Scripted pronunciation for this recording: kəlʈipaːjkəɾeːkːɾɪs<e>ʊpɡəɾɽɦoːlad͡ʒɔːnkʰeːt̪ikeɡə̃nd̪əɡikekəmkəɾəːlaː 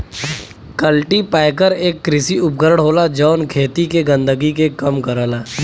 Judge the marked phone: incorrect: i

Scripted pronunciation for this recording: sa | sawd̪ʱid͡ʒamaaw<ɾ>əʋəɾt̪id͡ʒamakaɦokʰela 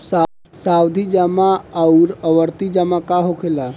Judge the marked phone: correct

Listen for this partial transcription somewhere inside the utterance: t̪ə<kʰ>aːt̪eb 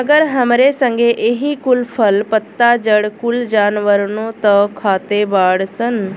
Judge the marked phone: correct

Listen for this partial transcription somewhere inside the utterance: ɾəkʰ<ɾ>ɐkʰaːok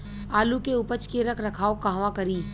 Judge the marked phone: correct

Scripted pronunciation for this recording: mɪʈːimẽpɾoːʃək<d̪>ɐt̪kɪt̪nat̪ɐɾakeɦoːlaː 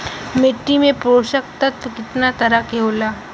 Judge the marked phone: incorrect: t̪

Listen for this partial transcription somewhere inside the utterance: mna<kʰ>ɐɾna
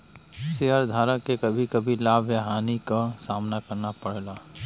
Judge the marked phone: incorrect: k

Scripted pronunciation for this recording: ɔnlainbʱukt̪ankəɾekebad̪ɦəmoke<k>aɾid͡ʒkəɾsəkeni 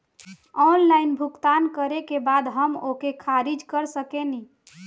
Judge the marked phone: incorrect: kʰ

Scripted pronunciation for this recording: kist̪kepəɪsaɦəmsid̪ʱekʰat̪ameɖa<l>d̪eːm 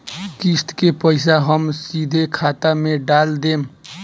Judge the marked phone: correct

